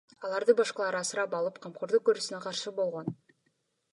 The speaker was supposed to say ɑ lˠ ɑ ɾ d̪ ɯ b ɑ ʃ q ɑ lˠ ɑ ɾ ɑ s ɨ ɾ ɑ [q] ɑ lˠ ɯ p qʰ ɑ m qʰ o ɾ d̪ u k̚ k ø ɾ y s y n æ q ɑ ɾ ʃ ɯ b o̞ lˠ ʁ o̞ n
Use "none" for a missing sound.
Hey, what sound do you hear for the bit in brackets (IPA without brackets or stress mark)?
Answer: p